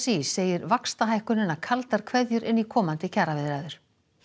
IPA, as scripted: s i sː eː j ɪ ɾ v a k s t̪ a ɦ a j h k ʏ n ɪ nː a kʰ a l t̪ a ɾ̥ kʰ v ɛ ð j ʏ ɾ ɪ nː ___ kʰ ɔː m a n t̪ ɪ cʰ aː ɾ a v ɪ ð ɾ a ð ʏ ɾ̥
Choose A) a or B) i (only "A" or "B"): B